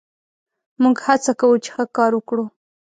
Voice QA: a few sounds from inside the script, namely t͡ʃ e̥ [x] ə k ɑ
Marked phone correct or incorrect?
correct